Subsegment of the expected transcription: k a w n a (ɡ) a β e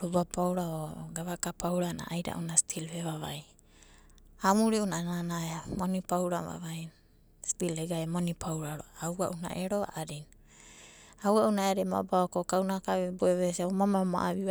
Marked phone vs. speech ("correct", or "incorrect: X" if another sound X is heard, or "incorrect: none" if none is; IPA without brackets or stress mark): incorrect: k